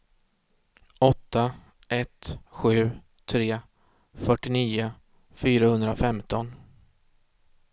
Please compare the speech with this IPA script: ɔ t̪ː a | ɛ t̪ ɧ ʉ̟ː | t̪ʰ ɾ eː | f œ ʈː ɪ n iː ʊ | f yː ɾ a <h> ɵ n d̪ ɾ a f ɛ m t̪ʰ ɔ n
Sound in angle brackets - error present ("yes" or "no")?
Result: no